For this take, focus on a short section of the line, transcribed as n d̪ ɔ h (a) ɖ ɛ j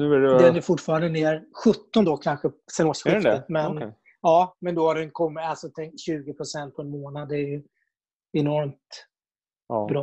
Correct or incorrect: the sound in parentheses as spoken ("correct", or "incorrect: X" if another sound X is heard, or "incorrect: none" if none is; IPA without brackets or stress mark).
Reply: correct